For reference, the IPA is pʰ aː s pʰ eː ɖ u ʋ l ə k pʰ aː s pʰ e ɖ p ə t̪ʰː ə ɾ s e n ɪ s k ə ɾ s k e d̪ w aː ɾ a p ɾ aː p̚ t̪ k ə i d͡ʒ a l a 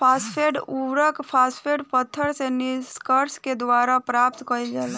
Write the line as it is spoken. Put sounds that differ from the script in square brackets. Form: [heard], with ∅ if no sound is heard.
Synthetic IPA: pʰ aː s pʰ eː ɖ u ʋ [ɾ] ə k pʰ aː s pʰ e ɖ p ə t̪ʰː ə ɾ s e n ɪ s k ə ɾ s k e d̪ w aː ɾ a p ɾ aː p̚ t̪ k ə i d͡ʒ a l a